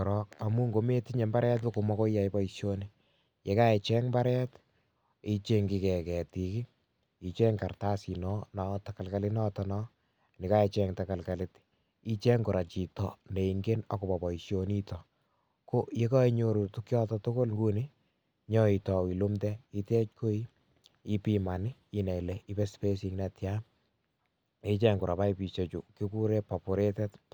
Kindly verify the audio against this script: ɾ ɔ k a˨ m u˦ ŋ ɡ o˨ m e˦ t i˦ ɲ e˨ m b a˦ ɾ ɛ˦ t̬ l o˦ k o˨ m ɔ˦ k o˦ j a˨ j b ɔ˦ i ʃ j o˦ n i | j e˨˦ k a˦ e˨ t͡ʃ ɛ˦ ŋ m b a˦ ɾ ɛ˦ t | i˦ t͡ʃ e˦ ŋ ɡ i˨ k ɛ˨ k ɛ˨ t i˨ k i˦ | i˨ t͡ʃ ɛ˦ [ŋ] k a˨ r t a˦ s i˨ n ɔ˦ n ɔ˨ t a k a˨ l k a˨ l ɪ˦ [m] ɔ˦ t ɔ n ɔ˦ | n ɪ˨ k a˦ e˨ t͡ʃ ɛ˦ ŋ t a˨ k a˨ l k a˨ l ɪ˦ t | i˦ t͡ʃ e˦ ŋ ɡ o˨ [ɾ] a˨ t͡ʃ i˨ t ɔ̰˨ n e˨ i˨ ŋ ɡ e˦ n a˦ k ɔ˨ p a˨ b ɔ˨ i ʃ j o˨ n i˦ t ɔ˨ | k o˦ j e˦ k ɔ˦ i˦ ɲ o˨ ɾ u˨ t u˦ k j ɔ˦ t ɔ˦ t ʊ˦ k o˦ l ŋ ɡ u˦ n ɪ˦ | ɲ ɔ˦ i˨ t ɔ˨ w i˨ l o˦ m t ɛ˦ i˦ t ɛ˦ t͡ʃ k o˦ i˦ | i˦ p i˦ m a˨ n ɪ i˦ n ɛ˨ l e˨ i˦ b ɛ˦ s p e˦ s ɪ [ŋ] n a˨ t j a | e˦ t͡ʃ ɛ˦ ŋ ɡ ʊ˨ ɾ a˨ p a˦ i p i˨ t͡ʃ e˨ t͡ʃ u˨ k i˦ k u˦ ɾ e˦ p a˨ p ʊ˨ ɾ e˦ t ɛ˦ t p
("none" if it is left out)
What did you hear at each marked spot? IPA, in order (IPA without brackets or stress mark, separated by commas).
ŋ, n, ɾ, ŋ